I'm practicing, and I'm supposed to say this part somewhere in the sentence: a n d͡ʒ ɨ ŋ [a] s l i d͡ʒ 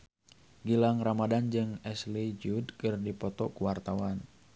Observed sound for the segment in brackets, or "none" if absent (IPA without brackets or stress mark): ɛ